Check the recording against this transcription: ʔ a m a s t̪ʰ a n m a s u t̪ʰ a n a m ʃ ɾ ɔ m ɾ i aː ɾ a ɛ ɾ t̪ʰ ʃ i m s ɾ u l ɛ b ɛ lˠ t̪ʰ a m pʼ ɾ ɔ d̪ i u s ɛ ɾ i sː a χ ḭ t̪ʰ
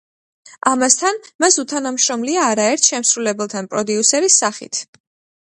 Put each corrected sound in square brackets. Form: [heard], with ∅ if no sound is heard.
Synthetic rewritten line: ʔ a m a s t̪ʰ a n m a s u t̪ʰ a n a m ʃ ɾ ɔ m [l] i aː ɾ a ɛ ɾ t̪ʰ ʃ [ɛ] m s ɾ u l ɛ b ɛ lˠ t̪ʰ a [n] pʼ ɾ ɔ d̪ i u s ɛ ɾ i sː a χ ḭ t̪ʰ